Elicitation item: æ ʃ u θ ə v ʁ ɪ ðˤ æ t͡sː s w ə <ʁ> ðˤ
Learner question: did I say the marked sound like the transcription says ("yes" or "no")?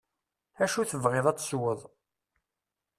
no